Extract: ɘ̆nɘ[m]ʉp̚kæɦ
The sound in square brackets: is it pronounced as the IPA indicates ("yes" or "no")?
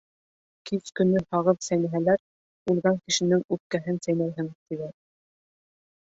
no